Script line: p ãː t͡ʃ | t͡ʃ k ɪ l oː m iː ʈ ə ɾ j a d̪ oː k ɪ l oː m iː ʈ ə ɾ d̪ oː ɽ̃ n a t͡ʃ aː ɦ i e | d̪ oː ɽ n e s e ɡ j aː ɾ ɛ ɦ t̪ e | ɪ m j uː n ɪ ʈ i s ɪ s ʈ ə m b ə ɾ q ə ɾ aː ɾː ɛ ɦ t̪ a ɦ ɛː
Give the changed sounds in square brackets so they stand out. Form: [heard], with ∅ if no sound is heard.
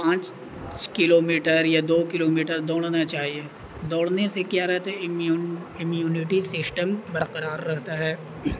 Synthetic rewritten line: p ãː t͡ʃ | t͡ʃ k ɪ l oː m iː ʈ ə ɾ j a d̪ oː k ɪ l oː m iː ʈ ə ɾ d̪ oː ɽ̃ n a t͡ʃ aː ɦ i e | d̪ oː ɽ n e s e [k] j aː ɾ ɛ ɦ t̪ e | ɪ m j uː n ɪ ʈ i s ɪ s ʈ ə m b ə ɾ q ə ɾ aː ɾː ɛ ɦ t̪ a ɦ ɛː